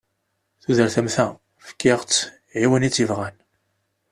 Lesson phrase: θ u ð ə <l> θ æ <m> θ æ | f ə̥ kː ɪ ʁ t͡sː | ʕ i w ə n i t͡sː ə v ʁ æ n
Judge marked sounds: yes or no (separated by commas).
no, yes